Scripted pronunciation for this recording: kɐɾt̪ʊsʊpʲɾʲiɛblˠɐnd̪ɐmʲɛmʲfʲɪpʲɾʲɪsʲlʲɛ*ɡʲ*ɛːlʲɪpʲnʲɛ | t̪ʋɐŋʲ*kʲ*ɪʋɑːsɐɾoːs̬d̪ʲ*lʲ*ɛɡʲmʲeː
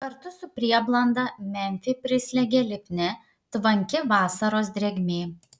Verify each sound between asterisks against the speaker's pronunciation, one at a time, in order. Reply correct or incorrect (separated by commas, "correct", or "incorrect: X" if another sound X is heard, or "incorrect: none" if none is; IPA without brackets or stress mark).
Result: correct, correct, incorrect: ɾʲ